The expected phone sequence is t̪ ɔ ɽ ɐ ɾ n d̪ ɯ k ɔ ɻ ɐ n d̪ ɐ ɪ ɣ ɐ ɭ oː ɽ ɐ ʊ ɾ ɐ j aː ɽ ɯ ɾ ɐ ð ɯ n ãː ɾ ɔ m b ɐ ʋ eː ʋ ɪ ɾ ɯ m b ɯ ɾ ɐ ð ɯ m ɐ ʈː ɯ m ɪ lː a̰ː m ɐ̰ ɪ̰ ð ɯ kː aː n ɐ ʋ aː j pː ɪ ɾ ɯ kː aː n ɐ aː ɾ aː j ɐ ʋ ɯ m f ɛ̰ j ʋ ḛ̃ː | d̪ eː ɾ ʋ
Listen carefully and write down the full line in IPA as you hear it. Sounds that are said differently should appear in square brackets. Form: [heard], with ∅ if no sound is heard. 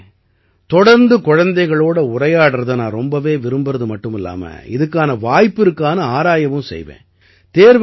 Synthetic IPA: t̪ ɔ ɽ ɐ ɾ n d̪ ɯ k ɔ ɻ ɐ n d̪ ɐ ɪ ɣ ɐ ɭ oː ɽ ɐ ʊ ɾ ɐ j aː ɽ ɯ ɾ ɐ ð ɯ n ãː ɾ ɔ m b ɐ ʋ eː ʋ ɪ ɾ ɯ m b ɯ ɾ ɐ ð ɯ m ɐ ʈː ɯ m ɪ lː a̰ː m ɐ̰ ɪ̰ ð ɯ kː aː n ɐ ʋ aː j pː ɪ ɾ ɯ kː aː n ɐ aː ɾ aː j ɐ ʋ ɯ m [s] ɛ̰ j ʋ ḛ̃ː | [t̪] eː ɾ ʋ